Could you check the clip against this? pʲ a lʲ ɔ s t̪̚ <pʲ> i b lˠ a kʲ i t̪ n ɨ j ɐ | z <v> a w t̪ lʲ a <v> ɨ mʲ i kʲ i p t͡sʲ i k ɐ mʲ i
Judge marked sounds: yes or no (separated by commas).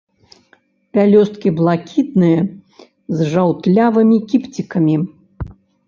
no, no, yes